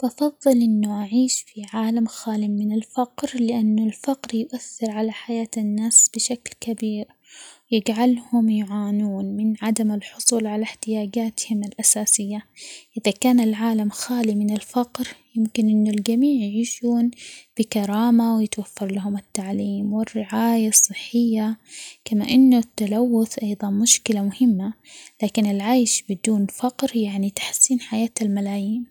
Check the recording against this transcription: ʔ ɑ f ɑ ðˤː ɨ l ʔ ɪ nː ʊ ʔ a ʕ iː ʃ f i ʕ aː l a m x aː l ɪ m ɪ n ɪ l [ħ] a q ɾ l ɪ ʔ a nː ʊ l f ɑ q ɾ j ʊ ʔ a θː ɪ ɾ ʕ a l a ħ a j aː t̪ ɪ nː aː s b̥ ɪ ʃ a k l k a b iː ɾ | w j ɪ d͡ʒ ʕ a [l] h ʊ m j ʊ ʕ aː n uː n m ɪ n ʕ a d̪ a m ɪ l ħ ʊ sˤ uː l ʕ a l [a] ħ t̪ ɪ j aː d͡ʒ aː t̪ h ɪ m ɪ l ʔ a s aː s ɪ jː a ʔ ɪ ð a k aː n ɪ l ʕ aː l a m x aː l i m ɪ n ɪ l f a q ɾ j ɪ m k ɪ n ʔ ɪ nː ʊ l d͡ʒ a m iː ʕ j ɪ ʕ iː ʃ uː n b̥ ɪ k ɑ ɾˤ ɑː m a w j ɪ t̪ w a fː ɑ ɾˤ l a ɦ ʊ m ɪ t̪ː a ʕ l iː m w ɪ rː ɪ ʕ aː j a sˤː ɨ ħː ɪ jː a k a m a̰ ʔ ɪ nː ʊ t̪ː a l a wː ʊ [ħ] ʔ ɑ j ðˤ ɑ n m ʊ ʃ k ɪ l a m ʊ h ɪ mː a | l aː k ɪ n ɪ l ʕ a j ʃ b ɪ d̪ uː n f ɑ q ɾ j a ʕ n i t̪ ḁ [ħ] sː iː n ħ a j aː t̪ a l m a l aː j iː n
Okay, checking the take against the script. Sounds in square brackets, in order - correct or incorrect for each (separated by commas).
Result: incorrect, correct, correct, incorrect, correct